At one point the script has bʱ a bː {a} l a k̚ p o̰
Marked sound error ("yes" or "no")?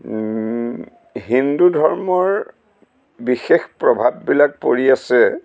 yes